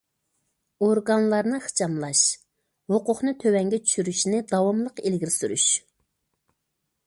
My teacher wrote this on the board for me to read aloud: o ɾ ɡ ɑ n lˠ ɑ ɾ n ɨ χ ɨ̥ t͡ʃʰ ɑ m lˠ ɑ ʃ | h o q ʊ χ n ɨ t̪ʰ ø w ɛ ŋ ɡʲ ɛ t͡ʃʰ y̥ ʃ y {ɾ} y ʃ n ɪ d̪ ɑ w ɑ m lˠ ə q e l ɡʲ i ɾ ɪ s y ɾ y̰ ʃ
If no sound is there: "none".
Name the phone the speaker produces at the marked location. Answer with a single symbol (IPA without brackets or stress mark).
ɾ